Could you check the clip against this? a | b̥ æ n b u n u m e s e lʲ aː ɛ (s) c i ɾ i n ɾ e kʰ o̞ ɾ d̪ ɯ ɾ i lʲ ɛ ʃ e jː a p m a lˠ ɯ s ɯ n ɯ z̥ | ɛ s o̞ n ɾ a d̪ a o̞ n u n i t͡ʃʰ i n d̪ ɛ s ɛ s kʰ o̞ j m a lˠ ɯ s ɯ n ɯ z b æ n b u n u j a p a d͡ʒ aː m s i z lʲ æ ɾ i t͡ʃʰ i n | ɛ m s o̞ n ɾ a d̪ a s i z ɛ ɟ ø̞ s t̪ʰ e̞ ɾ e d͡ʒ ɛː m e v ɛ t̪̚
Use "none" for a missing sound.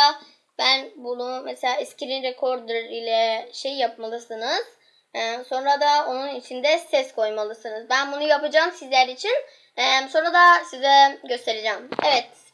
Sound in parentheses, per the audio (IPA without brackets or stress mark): s